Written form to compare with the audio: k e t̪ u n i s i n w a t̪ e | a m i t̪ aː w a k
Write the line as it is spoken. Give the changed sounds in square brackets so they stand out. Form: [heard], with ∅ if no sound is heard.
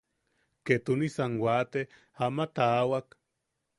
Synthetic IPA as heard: k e t̪ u n i s [a] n w a t̪ e | a m [a] t̪ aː w a k